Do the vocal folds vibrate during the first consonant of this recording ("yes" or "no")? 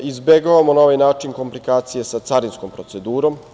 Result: yes